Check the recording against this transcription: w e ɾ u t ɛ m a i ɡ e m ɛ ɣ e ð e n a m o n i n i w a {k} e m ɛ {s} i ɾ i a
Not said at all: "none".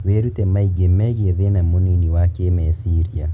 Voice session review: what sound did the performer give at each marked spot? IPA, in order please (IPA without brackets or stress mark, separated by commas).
k, s